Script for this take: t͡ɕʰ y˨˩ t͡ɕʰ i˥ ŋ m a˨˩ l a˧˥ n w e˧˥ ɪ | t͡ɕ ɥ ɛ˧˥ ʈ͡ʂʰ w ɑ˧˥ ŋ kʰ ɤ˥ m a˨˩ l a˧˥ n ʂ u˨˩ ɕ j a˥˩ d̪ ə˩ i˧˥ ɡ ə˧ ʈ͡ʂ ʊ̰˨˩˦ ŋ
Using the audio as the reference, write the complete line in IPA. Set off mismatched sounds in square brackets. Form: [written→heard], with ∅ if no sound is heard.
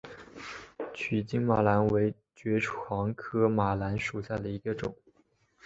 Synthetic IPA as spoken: t͡ɕʰ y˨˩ [t͡ɕʰ→t͡ɕ] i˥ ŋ m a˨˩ l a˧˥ n w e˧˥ ɪ | t͡ɕ ɥ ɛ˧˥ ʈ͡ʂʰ w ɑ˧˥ ŋ kʰ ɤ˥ m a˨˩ l a˧˥ n ʂ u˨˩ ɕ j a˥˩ d̪ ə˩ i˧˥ ɡ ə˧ ʈ͡ʂ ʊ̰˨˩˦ ŋ